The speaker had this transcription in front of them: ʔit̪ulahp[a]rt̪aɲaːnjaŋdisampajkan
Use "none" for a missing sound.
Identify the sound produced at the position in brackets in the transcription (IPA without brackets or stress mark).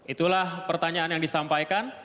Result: ə